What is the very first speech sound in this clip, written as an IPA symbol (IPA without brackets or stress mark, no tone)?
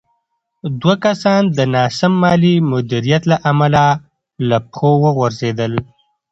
d̪